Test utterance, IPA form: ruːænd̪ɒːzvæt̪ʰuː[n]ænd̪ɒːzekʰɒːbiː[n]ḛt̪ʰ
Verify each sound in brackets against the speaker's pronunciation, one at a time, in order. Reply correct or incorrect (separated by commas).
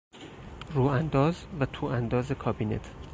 incorrect, correct